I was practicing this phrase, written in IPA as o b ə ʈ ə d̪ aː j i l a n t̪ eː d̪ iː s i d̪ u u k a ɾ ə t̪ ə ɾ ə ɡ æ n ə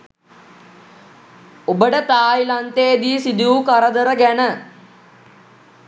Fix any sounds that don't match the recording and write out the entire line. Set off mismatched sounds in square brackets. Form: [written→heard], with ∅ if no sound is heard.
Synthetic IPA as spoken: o b ə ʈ ə [d̪→t̪] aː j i l a n t̪ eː d̪ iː s i d̪ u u k a ɾ ə [t̪→d̪] ə ɾ ə ɡ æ n ə